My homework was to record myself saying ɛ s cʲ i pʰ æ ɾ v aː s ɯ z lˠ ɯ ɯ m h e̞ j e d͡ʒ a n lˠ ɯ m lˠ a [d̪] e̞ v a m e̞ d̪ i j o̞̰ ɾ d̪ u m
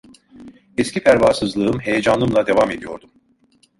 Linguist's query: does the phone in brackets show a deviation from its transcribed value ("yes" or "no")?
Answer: no